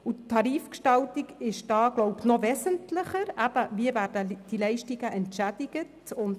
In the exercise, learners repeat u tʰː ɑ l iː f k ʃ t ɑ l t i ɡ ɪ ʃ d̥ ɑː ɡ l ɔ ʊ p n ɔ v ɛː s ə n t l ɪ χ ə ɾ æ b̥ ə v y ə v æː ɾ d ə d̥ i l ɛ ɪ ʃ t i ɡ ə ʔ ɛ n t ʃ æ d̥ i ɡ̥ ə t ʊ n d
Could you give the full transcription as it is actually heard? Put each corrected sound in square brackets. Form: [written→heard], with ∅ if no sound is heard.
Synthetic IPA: u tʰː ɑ [l→ɾ] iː f k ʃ t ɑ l t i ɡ ɪ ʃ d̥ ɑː ɡ l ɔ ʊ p n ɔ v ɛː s ə n t l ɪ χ ə ɾ æ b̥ ə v [y→i] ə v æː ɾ d ə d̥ i l ɛ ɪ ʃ t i ɡ ə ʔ ɛ n t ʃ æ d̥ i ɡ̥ ə t ʊ n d